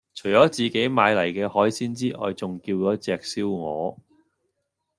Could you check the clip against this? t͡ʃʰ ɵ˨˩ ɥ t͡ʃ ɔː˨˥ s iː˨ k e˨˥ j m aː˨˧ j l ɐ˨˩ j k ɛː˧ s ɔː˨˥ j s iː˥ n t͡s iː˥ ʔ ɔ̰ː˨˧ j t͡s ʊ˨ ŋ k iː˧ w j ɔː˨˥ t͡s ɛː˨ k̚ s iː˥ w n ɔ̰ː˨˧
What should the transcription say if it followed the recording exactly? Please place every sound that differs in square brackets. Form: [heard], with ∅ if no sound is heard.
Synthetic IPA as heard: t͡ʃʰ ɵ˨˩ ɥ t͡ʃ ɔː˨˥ [t͡s] iː˨ k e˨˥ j m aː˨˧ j l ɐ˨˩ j k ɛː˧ [h] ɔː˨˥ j s iː˥ n t͡s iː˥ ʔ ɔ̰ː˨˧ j t͡s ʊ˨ ŋ k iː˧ w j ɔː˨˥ t͡s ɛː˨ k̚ s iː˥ w [ŋ] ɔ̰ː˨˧

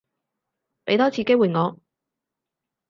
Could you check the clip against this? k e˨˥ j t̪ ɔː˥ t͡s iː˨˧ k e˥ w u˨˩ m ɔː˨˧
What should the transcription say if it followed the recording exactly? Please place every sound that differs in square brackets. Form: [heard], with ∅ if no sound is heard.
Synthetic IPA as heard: [p] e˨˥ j t̪ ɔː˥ [t͡sʰ] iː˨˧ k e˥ w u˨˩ [ŋ] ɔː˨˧

